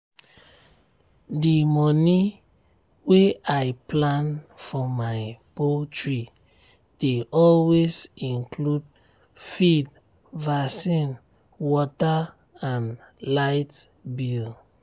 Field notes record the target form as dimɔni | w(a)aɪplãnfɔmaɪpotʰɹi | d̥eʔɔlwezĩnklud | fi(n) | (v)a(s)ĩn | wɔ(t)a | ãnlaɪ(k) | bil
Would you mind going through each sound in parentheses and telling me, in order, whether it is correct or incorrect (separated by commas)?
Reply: incorrect, incorrect, correct, correct, correct, incorrect